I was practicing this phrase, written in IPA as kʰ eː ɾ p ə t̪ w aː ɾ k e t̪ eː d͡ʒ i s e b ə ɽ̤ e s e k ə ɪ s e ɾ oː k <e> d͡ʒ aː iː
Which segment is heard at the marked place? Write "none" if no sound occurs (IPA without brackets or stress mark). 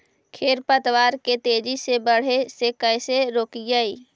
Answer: i